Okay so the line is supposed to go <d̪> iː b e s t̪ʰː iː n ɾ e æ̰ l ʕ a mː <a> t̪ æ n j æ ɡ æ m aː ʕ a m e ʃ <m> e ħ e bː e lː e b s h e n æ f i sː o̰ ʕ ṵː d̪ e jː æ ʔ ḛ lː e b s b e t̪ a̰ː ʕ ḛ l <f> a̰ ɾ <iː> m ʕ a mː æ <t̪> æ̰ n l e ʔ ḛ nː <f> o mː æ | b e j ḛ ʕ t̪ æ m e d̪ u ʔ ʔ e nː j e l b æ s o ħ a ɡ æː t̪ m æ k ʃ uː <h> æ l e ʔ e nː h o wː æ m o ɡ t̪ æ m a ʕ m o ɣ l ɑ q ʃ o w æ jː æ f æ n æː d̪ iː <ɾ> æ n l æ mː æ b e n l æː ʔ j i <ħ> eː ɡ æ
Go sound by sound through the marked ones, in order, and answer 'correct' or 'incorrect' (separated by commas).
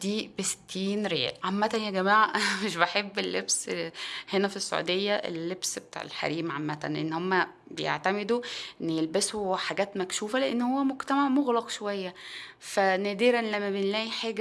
correct, incorrect, incorrect, incorrect, correct, correct, incorrect, incorrect, correct, correct